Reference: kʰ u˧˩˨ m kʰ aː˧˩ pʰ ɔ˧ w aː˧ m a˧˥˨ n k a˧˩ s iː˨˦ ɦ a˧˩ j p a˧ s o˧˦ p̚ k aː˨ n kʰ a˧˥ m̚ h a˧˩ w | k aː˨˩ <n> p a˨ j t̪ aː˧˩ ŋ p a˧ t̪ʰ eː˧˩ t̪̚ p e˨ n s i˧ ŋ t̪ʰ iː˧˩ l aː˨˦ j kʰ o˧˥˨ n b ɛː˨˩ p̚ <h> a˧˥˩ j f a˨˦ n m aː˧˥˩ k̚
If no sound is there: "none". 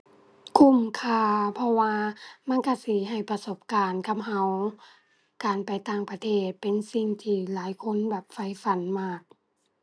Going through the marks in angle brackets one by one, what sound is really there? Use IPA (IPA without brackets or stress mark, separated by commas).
n, f